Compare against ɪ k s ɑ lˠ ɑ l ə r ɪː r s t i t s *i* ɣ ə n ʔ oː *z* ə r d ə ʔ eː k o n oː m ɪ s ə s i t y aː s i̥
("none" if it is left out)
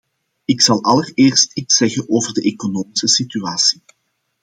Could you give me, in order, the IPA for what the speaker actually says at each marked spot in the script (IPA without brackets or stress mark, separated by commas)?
ɛ, v